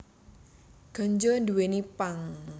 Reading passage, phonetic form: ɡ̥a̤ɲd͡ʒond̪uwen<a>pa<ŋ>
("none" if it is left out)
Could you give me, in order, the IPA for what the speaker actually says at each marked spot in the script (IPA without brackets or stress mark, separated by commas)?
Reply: i, ŋ